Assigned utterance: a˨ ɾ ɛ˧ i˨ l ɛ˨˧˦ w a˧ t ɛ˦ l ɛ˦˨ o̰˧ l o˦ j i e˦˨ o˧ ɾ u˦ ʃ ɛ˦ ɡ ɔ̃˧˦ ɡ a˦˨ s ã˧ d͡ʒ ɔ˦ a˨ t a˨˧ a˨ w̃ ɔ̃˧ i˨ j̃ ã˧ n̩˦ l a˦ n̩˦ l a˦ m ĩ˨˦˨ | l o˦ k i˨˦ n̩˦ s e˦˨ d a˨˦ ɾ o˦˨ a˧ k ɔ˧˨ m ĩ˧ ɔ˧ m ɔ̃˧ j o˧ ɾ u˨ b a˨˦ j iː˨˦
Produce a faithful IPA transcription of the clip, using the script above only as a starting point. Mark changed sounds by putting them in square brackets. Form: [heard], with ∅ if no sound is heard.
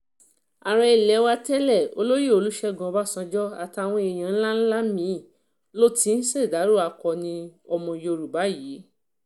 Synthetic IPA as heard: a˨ ɾ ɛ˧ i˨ l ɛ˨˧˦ w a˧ t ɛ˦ l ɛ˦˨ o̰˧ l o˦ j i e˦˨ o˧ [l] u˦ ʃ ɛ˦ ɡ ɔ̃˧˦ [b] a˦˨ s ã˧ d͡ʒ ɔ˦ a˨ t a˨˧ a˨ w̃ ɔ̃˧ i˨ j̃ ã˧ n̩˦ l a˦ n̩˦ l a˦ m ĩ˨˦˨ | l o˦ [t] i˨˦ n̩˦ s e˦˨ d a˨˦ ɾ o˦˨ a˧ k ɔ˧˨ [n] ĩ˧ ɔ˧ m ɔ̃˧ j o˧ ɾ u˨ b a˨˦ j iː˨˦